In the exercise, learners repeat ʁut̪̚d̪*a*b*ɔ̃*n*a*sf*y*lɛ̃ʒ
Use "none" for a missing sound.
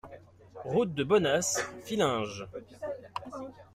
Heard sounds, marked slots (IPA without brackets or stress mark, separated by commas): ə, ɔ, a, i